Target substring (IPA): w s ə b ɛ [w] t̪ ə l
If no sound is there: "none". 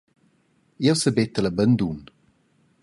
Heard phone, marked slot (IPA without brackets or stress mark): none